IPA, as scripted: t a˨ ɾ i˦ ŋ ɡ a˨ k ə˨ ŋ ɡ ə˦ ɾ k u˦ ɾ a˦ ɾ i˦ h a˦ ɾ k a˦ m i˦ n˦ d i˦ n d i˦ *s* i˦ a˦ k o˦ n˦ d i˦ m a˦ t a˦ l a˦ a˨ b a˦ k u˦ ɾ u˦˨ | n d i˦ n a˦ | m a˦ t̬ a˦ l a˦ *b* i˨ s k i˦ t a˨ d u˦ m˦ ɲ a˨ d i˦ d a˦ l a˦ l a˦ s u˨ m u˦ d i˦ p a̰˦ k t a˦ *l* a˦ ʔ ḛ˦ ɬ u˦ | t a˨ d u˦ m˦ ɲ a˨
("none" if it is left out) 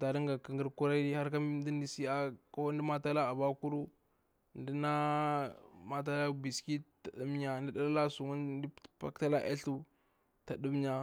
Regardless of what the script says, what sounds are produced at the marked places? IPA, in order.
s, b, l

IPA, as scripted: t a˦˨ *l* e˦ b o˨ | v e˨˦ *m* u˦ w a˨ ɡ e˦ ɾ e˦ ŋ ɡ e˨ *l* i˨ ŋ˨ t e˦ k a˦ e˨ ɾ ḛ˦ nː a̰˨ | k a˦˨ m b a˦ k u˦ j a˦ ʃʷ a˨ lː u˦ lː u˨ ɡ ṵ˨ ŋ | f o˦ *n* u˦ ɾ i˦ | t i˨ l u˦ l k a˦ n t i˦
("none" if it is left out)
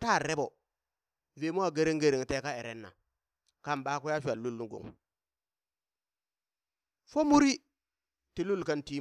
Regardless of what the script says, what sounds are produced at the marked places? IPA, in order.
ɾ, m, ɾ, m

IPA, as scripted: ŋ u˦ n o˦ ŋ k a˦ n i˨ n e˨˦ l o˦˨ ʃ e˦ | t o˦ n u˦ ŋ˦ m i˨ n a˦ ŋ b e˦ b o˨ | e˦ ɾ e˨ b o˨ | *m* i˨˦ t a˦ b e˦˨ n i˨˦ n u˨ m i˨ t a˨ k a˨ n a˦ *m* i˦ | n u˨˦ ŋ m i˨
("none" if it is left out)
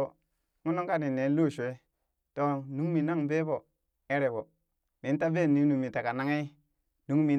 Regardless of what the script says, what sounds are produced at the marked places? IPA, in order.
m, ŋ

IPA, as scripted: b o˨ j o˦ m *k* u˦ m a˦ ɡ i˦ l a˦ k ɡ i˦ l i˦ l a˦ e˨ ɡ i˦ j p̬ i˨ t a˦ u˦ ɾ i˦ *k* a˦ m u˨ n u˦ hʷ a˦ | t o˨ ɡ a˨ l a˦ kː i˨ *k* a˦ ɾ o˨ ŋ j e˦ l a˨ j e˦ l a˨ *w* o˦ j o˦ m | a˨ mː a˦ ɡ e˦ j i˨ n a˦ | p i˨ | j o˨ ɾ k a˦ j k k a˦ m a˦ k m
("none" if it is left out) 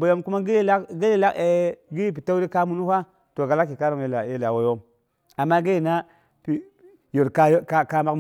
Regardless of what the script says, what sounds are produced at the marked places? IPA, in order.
k, k, k, w

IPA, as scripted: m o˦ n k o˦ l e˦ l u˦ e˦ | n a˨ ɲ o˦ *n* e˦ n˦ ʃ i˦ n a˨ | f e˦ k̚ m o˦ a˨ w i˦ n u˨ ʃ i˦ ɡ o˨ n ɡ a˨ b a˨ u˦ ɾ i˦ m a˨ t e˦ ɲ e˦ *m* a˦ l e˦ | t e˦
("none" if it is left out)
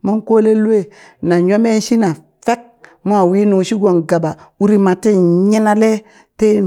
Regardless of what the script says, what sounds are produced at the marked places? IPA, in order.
m, n

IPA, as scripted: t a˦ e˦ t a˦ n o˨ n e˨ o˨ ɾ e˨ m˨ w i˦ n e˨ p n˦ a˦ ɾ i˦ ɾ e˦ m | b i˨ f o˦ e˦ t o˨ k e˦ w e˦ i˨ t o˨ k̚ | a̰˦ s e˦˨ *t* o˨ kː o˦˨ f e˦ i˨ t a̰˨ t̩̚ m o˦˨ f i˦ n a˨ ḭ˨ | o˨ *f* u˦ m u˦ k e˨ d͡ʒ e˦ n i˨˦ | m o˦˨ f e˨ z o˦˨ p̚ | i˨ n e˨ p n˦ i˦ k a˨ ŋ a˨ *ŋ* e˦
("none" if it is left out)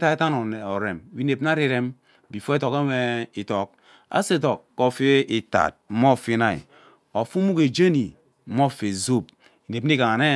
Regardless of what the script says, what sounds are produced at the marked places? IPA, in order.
t, f, n

